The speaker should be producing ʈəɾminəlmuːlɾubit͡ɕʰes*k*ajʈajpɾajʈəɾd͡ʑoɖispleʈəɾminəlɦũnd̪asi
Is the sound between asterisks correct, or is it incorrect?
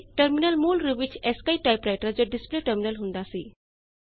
correct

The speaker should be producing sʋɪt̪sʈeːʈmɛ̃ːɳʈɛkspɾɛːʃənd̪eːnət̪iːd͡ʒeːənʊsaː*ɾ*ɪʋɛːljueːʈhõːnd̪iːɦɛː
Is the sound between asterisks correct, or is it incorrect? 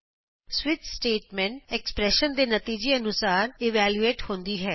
correct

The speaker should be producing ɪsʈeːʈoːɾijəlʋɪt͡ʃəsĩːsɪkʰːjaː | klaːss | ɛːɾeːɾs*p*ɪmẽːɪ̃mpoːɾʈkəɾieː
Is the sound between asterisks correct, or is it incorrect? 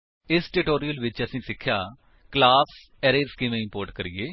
incorrect: k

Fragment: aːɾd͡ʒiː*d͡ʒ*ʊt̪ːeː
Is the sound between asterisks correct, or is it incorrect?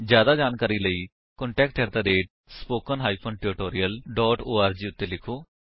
incorrect: none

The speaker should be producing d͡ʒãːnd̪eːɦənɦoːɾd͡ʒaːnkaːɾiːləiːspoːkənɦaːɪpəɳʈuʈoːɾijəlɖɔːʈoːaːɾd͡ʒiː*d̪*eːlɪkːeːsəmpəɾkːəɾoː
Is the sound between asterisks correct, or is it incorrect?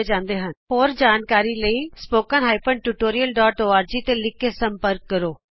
incorrect: t̪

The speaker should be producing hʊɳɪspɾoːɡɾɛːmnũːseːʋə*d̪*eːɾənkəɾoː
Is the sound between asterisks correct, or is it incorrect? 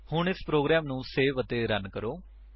incorrect: t̪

